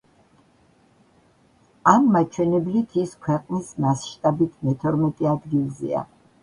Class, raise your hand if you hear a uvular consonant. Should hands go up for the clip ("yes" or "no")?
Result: yes